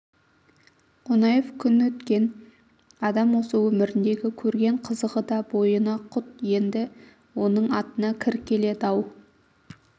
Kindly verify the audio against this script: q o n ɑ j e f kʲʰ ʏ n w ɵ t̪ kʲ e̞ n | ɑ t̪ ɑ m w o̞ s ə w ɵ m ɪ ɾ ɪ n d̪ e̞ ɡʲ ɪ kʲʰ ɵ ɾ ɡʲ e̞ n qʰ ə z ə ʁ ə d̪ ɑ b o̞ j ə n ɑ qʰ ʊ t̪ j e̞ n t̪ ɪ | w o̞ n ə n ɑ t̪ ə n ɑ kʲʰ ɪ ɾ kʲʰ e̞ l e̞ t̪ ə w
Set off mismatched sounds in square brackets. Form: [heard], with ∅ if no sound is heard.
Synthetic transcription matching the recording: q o n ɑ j e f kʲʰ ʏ n w ɵ t̪ kʲ e̞ n | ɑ [d̪] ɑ m w o̞ s ə w ɵ m ɪ ɾ ɪ n d̪ e̞ ɡʲ ɪ kʲʰ ɵ ɾ ɡʲ e̞ [ɴ] qʰ ə z ə ʁ ə d̪ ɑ b o̞ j ə n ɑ qʰ ʊ t̪ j e̞ n [d̪] ɪ | w o̞ n ə [ɴ] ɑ t̪ ə n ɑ kʲʰ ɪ ɾ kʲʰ e̞ l e̞ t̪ [ɑ] w